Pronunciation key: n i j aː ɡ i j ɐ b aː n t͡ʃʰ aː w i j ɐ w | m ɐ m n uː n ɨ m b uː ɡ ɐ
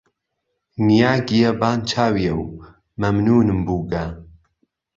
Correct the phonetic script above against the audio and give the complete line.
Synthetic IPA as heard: n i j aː ɡ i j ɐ b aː n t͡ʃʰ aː w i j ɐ w | m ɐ m n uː n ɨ m b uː ɡ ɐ